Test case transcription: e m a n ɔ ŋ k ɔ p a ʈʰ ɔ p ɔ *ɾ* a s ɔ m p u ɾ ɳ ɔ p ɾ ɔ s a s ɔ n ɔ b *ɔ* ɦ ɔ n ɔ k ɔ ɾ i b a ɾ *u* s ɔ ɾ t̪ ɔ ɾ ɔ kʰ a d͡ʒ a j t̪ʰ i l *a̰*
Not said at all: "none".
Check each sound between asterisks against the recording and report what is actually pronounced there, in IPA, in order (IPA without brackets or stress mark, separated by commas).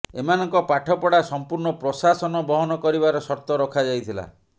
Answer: ɽ, ɔ, ɔ, a̰